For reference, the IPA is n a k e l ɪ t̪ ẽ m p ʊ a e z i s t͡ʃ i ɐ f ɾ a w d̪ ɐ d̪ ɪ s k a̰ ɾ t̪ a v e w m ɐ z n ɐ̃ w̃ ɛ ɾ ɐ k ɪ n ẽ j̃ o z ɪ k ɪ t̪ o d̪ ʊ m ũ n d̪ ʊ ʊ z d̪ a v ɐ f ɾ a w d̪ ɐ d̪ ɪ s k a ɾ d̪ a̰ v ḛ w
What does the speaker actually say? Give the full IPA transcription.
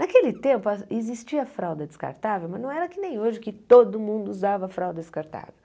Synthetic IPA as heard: n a k e l ɪ t̪ ẽ m p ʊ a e z i s t͡ʃ i ɐ f ɾ a w d̪ ɐ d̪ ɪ s k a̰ ɾ t̪ a v e w m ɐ z n ɐ̃ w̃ ɛ ɾ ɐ k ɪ n ẽ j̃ o ʒ ɪ k ɪ t̪ o d̪ ʊ m ũ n d̪ ʊ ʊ z d̪ a v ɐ f ɾ a w d̪ ɐ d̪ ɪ s k a ɾ t̪ a̰ v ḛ w